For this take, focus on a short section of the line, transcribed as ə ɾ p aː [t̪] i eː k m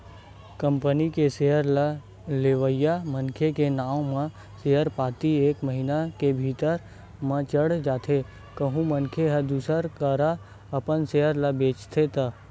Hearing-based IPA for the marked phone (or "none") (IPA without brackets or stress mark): t̪